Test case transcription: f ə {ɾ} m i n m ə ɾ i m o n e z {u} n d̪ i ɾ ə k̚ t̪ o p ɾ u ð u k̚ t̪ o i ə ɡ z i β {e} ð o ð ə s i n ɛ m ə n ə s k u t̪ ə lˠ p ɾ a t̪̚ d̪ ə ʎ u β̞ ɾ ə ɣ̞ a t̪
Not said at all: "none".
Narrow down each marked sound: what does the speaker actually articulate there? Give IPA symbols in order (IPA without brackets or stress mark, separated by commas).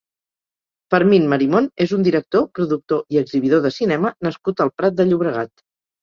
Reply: ɾ, u, i